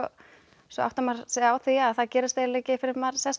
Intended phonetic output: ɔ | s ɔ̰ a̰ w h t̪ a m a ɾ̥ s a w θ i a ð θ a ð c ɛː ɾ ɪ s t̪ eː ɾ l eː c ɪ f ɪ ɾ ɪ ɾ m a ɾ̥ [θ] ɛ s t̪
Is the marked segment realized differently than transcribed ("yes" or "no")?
yes